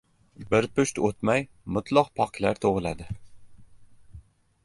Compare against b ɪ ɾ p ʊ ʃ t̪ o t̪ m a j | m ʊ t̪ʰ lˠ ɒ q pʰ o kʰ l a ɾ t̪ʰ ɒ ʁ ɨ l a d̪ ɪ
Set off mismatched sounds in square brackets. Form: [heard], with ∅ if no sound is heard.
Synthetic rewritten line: b ɪ ɾ p ʊ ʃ t̪ o t̪ m a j | m ʊ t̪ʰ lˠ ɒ q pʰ [ɒ] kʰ l a ɾ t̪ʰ [o] ʁ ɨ l a d̪ ɪ